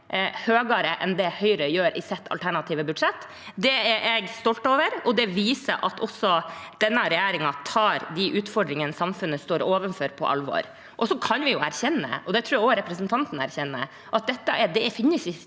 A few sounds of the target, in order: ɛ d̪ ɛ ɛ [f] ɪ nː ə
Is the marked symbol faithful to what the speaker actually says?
yes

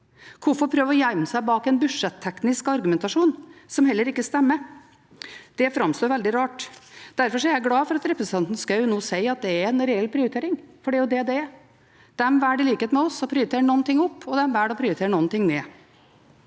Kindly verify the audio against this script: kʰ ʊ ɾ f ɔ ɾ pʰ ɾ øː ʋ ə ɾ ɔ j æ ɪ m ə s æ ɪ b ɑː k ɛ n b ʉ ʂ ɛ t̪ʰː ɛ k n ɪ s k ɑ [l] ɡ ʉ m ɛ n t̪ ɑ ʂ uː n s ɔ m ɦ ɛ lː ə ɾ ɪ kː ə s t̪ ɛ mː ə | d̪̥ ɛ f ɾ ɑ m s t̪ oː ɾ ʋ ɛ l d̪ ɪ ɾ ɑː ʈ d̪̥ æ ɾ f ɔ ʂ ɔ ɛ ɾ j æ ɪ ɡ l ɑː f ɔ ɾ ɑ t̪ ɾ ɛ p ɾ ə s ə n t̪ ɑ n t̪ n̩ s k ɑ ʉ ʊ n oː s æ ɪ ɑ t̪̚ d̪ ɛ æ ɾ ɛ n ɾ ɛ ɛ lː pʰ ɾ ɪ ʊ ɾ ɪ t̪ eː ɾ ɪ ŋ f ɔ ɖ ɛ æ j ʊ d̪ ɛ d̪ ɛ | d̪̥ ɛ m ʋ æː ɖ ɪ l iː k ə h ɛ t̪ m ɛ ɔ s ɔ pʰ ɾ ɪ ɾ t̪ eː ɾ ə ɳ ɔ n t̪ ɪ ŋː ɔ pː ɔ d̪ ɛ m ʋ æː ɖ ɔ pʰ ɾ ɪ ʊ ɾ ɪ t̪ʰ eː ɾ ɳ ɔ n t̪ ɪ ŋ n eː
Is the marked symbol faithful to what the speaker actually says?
no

